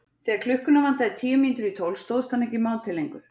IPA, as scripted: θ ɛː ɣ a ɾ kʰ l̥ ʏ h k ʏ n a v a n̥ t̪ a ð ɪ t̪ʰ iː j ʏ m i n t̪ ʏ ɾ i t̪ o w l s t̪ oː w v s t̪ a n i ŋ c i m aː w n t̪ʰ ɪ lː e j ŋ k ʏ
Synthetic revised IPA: θ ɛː ɣ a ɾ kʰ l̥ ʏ h k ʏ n a v a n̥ t̪ a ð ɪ t̪ʰ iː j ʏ m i n t̪ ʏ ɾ i t̪ʰ o w l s t̪ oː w ð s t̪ a n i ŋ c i m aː w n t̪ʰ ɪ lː e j ŋ k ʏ